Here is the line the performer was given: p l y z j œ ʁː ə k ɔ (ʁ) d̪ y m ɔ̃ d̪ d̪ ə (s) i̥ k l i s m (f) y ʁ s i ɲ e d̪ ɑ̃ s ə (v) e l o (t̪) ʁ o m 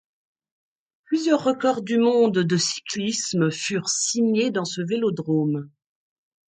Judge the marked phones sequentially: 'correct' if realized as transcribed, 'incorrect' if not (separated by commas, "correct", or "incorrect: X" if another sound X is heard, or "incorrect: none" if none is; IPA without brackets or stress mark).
correct, correct, correct, correct, incorrect: d̪